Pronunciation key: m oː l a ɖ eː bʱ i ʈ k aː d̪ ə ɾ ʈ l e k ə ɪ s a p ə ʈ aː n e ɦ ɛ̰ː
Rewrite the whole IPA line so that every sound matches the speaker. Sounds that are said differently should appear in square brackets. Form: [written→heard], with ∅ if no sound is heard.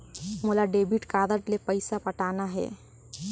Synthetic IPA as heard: m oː l a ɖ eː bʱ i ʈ k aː d̪ ə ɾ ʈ l e [k→p] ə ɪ s a p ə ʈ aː n [e→a] ɦ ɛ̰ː